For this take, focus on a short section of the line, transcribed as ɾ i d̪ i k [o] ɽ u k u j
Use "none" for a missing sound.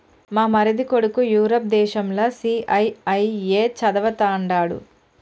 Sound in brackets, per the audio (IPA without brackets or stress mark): o